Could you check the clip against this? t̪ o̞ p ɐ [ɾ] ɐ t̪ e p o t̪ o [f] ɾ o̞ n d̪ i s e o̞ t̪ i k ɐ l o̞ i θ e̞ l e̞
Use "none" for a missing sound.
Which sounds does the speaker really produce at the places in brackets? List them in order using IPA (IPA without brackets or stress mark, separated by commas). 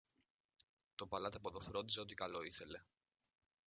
l, f